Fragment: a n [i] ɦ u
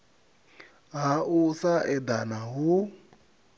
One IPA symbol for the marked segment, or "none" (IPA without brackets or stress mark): a